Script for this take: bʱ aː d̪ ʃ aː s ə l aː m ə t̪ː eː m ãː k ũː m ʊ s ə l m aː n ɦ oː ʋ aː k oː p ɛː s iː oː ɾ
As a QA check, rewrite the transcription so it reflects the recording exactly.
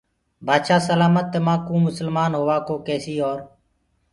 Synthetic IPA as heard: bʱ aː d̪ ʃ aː s ə l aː m ə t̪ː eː m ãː k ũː m ʊ s ə l m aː n ɦ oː ʋ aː k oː k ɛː s iː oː ɾ